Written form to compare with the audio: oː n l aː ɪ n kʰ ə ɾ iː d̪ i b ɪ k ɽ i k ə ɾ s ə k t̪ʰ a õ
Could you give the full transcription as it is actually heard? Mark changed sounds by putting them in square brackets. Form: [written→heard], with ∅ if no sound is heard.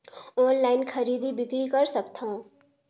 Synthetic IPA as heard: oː n l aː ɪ n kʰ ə ɾ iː d̪ i b ɪ k [ɽ→ɾ] i k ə ɾ s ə k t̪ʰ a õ

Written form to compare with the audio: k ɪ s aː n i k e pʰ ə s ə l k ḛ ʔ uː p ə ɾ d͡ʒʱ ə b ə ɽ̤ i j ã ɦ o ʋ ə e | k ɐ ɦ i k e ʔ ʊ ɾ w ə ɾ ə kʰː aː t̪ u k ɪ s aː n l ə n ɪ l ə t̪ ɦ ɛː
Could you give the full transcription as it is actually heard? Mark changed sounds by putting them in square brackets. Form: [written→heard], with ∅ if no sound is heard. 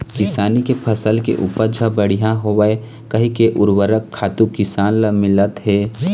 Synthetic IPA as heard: k ɪ s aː n i k e pʰ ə s ə l k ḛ ʔ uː p ə ɾ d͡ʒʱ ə b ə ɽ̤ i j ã ɦ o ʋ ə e | k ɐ ɦ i k e ʔ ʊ ɾ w ə ɾ ə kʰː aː t̪ u k ɪ s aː n l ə [n→m] ɪ l ə t̪ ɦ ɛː

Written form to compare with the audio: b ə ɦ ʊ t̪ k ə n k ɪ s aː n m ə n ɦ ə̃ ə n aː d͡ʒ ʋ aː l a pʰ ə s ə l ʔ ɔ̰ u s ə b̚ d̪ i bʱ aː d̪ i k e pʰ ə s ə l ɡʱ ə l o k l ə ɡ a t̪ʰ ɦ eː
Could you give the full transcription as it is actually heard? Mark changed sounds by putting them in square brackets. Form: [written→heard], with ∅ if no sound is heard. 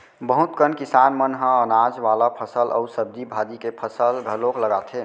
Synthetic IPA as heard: b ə ɦ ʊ t̪ k ə n k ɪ s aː n m ə n ɦ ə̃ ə n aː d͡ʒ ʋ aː l a pʰ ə s ə l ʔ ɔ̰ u s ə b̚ d̪ i bʱ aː d̪ i k e pʰ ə s ə l ɡʱ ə l o k l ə ɡ a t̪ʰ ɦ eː

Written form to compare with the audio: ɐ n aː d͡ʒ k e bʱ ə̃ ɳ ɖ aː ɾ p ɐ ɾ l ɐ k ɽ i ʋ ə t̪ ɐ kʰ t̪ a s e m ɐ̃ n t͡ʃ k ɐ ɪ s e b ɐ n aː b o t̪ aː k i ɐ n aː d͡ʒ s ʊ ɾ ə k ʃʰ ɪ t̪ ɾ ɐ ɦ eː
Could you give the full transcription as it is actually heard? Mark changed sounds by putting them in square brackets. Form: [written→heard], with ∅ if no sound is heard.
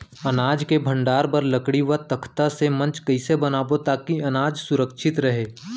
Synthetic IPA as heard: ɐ n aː d͡ʒ k e bʱ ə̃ ɳ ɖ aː ɾ p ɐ ɾ l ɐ k ɽ i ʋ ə t̪ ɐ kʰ t̪ a s e m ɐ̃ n t͡ʃ k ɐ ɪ s e b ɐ n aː b o t̪ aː k i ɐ n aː d͡ʒ s ʊ ɾ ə k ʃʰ ɪ t̪ ɾ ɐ ɦ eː

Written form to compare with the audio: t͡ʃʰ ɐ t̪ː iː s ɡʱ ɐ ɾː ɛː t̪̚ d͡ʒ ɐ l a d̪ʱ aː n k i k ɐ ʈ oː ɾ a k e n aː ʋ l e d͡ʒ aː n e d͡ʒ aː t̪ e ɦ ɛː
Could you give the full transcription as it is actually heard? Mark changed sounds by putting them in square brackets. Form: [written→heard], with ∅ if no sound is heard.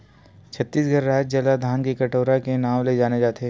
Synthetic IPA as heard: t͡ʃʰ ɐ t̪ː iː s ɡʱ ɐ ɾː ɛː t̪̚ d͡ʒ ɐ l a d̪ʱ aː n k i k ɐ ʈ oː ɾ a k e n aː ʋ l e d͡ʒ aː n e d͡ʒ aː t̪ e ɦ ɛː

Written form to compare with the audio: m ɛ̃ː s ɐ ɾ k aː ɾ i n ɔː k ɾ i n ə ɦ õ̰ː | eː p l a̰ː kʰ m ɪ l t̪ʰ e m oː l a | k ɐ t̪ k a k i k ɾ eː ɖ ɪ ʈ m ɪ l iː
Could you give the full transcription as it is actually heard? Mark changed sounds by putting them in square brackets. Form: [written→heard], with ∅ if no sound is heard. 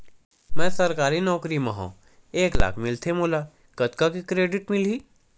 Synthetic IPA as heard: m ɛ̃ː s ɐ ɾ k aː ɾ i n ɔː k ɾ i [n→m] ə ɦ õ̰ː | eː [p→k] l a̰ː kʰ m ɪ l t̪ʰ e m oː l a | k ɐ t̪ k a k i k ɾ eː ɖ ɪ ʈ m ɪ l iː

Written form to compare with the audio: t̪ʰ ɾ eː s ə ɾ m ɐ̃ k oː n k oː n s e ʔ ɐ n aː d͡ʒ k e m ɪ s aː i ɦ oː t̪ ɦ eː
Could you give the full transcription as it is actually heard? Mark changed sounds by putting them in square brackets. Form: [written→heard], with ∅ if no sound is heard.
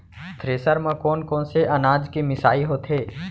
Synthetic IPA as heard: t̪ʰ ɾ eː s ə ɾ m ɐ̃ k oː n k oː n s e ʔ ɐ n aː d͡ʒ k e m ɪ s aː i ɦ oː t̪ ɦ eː

